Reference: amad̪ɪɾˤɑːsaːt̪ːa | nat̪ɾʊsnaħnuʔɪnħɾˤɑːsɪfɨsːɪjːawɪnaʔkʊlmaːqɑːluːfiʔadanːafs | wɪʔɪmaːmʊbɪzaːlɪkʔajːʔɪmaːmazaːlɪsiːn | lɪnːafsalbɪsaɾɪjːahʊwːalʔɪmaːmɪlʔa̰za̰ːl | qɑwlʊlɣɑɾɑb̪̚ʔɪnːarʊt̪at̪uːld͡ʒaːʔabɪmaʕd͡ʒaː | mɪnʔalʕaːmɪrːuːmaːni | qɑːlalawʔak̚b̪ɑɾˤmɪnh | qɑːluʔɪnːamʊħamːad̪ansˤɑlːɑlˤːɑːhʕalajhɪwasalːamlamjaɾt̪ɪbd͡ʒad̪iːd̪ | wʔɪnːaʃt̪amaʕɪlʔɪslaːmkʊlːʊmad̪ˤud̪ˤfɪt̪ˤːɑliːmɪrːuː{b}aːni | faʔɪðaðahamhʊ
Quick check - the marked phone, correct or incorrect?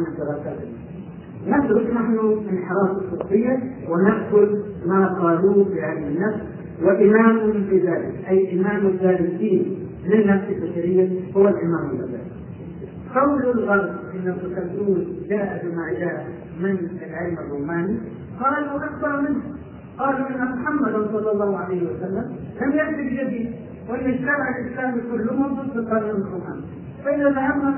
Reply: incorrect